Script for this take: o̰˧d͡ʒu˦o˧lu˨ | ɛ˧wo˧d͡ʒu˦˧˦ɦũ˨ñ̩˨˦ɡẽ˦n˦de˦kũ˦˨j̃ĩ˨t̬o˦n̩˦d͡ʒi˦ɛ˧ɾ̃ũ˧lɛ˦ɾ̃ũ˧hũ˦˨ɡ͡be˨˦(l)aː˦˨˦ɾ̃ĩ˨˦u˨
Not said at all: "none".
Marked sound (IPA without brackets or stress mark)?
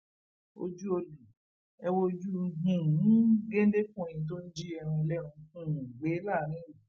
l